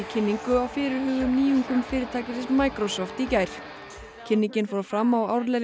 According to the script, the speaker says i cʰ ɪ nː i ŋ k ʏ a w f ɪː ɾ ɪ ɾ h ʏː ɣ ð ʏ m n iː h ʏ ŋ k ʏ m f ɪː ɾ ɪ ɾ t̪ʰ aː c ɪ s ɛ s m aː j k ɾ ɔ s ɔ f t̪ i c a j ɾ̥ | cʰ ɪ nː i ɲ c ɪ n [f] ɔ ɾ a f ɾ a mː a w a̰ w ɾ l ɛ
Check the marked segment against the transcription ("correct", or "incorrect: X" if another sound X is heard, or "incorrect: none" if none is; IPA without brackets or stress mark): correct